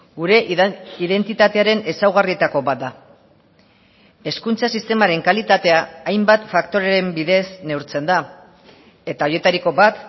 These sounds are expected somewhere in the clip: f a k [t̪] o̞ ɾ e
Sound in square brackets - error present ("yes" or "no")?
no